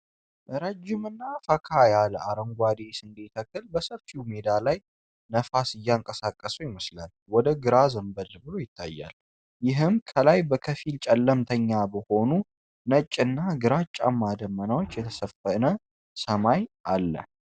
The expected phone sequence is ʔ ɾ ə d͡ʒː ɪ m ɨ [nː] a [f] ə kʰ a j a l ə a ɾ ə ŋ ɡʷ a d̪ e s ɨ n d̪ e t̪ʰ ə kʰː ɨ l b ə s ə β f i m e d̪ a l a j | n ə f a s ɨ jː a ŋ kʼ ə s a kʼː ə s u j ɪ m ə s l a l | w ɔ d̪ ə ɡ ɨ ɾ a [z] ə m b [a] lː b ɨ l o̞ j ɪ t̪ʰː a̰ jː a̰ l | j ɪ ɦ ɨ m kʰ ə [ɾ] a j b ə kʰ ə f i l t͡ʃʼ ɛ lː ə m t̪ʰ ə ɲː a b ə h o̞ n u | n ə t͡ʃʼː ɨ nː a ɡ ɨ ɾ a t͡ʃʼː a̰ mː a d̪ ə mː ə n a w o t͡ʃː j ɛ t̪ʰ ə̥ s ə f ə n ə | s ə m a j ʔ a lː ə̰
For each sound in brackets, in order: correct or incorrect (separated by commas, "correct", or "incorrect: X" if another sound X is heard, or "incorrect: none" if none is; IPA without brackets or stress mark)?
correct, correct, correct, incorrect: ə, incorrect: l